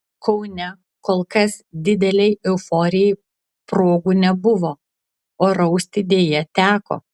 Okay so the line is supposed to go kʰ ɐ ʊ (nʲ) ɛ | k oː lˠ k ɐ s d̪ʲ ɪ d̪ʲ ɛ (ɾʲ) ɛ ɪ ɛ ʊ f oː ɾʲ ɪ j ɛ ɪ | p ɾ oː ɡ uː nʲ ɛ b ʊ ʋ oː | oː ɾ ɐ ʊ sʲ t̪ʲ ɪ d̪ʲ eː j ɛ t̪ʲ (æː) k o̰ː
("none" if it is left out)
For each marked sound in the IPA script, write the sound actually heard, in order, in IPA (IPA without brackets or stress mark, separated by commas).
nʲ, lʲ, æː